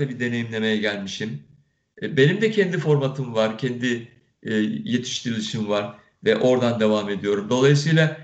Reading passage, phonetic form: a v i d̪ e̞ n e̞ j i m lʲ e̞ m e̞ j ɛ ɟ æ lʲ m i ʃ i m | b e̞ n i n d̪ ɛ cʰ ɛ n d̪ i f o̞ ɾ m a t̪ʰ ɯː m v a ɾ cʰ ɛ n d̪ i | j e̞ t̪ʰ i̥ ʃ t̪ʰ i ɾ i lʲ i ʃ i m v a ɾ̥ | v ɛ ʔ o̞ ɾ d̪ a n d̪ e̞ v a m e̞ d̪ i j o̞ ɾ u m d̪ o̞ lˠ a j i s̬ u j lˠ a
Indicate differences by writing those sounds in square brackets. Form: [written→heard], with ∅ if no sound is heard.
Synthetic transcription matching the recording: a [v→b] i d̪ e̞ n e̞ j i m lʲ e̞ m e̞ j ɛ ɟ æ lʲ m i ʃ i m | b e̞ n i [n→m] d̪ ɛ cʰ ɛ n d̪ i f o̞ ɾ m a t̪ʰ [ɯː→ɯ] m v a ɾ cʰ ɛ n d̪ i | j e̞ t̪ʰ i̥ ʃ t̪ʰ i ɾ i lʲ i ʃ i m v a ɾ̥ | v ɛ ʔ o̞ ɾ d̪ a n d̪ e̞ v a m e̞ d̪ i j o̞ ɾ u m d̪ o̞ lˠ a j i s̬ [u→ɯ] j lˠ a